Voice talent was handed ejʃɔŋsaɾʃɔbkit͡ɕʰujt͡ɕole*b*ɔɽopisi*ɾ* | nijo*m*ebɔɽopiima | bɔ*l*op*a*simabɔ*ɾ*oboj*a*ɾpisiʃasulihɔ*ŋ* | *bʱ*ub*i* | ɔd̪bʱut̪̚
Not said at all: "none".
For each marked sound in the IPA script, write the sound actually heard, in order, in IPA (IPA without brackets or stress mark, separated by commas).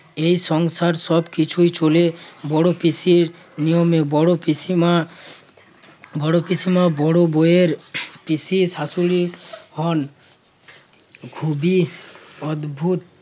b, ɾ, m, ɽ, i, ɽ, e, n, ɡʱ, i